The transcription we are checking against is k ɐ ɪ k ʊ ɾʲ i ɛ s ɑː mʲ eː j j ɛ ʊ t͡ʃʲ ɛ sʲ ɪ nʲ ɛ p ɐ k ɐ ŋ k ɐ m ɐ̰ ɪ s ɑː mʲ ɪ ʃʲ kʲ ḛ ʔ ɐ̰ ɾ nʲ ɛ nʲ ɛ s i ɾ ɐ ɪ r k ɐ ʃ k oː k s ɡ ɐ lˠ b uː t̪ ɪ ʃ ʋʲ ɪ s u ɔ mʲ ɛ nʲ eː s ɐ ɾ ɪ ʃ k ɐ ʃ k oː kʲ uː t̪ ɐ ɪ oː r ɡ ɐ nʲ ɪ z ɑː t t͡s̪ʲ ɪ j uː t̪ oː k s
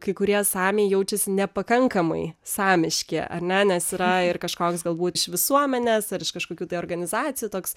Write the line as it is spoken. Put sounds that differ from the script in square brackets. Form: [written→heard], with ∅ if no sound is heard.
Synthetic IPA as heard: k ɐ ɪ k ʊ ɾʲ i ɛ s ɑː mʲ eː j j ɛ ʊ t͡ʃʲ ɛ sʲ ɪ nʲ ɛ p ɐ k ɐ ŋ k ɐ m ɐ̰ ɪ s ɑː mʲ ɪ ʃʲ kʲ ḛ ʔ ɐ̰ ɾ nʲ ɛ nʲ ɛ s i ɾ ɐ ɪ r k ɐ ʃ k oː k s ɡ ɐ lˠ b uː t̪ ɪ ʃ ʋʲ ɪ s u ɔ mʲ ɛ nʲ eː s ɐ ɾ ɪ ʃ k ɐ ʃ k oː kʲ uː t̪ ɐ ɪ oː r ɡ ɐ nʲ ɪ z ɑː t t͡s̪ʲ ɪ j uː t̪ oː k s